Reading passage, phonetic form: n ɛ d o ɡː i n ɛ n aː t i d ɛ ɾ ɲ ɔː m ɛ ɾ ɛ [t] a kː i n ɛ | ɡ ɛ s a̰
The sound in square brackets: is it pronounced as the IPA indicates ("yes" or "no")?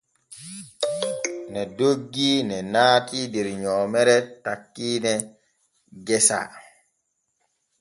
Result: yes